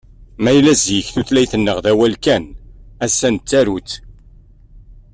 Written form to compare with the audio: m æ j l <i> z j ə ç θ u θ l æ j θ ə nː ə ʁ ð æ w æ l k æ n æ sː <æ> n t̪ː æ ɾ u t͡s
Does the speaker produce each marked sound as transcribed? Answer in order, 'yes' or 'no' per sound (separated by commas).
no, yes